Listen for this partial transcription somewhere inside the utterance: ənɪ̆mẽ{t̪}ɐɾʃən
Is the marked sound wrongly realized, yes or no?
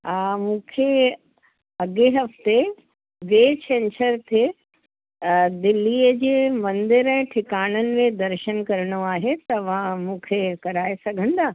yes